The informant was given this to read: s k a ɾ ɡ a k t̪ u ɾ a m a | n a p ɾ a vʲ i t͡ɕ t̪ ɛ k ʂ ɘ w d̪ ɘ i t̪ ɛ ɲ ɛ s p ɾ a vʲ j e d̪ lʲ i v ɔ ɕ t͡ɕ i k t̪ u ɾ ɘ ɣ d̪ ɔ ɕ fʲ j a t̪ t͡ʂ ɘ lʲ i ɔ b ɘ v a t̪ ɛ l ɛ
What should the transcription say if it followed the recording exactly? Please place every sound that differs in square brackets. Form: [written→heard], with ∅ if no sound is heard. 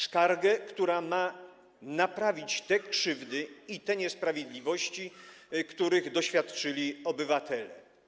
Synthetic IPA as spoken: s k a ɾ ɡ [a→ɛ] k t̪ u ɾ a m a | n a p ɾ a vʲ i t͡ɕ t̪ ɛ k ʂ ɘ [w→v] d̪ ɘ i t̪ ɛ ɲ ɛ s p ɾ a vʲ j e d̪ lʲ i v ɔ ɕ t͡ɕ i k t̪ u ɾ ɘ ɣ d̪ ɔ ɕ fʲ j a t̪ t͡ʂ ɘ lʲ i ɔ b ɘ v a t̪ ɛ l ɛ